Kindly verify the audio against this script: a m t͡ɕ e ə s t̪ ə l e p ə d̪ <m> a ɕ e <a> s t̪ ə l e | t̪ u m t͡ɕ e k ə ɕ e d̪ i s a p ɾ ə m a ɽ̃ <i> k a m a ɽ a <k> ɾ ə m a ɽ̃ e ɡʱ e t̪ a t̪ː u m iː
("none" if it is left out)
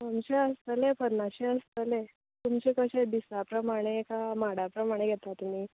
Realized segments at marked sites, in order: n, ə, e, p

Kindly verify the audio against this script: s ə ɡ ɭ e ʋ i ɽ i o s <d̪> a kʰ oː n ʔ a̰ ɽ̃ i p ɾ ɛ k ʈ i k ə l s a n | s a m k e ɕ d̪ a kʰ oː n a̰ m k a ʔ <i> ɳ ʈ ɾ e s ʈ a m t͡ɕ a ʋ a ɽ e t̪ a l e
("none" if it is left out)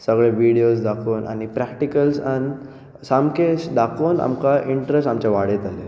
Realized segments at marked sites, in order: d̪, i

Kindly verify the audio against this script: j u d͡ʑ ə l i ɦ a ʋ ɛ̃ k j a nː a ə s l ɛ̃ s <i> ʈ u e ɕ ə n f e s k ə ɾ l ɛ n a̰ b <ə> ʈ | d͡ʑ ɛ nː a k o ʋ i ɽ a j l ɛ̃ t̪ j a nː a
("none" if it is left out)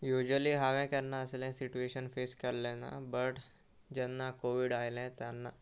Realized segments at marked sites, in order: i, ə

